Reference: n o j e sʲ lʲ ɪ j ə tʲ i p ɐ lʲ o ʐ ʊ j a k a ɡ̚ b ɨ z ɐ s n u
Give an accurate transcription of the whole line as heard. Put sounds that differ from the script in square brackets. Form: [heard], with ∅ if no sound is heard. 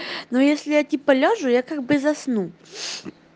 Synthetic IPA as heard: n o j e sʲ lʲ ɪ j [a] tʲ i p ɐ lʲ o ʐ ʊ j a k a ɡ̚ b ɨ z ɐ s n u